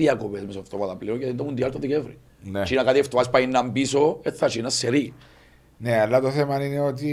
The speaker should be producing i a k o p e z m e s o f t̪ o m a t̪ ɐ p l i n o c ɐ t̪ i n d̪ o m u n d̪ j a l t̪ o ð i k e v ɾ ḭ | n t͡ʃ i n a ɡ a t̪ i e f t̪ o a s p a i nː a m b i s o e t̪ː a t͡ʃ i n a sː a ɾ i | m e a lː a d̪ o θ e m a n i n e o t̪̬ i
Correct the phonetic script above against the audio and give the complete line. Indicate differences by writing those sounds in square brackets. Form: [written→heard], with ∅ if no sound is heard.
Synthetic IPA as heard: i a k o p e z m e s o f t̪ o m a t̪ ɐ p l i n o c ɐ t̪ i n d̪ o m u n d̪ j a l t̪ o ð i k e v ɾ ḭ | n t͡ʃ i n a [ɡ→k] a t̪ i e f t̪ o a s p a i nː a m b i s o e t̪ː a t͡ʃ i n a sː [a→e] ɾ i | [m→n] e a lː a [d̪→t̪] o θ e m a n i n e o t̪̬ i